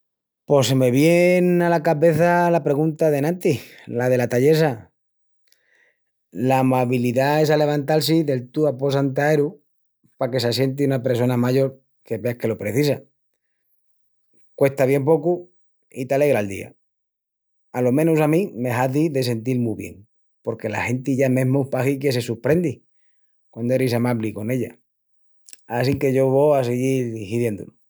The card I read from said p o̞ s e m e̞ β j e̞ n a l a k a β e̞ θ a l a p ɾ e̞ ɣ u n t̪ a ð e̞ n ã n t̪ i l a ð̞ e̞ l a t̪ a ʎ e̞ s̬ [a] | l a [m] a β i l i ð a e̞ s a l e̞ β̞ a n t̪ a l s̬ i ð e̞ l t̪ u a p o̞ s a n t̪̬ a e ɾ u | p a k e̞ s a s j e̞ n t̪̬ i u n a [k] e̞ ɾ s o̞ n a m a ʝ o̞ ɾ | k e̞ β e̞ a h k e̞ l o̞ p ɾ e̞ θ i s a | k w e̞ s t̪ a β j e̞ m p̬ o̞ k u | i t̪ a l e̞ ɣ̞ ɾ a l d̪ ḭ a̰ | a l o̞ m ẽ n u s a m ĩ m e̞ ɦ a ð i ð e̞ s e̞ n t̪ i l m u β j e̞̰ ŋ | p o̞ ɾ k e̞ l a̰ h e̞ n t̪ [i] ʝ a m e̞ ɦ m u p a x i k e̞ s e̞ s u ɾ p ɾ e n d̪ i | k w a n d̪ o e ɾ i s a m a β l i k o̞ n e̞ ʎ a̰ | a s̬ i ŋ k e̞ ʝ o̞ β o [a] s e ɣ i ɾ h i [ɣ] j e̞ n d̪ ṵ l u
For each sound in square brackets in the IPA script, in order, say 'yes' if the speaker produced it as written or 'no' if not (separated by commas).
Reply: yes, yes, no, yes, yes, no